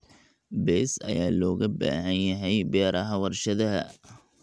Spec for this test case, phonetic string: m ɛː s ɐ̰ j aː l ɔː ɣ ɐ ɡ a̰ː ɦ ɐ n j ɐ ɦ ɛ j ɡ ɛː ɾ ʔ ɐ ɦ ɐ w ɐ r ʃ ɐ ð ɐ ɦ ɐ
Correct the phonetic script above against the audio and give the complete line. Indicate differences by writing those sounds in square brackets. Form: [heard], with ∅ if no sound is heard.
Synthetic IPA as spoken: [b] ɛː s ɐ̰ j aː l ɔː ɣ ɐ [b] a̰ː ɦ ɐ n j ɐ ɦ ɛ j [b] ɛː ɾ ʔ ɐ ɦ ɐ w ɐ r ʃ ɐ ð ɐ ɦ ɐ